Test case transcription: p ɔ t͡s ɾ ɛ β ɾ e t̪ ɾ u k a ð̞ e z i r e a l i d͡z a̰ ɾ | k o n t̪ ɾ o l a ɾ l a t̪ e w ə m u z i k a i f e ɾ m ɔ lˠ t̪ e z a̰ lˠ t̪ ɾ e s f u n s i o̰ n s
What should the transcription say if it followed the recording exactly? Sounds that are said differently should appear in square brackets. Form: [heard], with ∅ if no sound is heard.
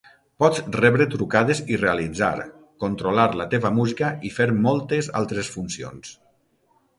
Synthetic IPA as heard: p ɔ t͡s [r] ɛ β ɾ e t̪ ɾ u k a ð̞ e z i r e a l i d͡z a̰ ɾ | k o n t̪ ɾ o l a ɾ l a t̪ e [β] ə m u z i k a i f e ɾ m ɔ lˠ t̪ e z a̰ lˠ t̪ ɾ e s f u n s i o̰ n s